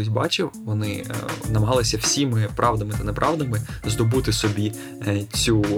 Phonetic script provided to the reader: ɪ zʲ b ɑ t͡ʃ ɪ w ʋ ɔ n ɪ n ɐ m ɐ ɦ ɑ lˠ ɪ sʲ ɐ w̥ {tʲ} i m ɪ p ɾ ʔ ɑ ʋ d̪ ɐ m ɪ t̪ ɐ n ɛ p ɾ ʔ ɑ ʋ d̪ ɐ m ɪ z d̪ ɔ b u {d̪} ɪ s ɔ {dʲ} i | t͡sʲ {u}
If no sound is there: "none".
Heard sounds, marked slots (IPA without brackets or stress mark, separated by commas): sʲ, t̪, bʲ, u